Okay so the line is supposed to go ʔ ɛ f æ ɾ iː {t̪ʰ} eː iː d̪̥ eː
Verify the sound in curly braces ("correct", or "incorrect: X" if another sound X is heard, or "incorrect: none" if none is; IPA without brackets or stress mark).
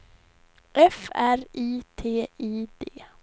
correct